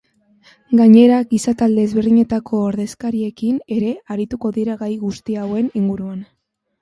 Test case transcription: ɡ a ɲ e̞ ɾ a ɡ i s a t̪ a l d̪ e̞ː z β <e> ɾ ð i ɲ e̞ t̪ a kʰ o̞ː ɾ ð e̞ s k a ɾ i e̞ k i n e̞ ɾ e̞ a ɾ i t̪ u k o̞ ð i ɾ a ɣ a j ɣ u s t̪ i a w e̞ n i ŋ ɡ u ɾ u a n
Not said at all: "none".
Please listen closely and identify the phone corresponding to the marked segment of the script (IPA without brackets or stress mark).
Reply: e